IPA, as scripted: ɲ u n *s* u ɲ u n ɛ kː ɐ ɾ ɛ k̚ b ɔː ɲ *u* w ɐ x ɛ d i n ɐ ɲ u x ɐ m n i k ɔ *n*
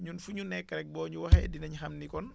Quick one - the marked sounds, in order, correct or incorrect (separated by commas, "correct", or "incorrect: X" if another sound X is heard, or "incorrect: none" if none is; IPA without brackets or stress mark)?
incorrect: f, correct, correct